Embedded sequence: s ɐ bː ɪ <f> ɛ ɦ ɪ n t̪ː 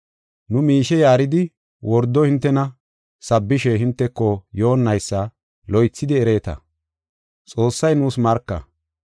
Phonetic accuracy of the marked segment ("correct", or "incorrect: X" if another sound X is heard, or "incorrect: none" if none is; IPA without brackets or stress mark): incorrect: ʃ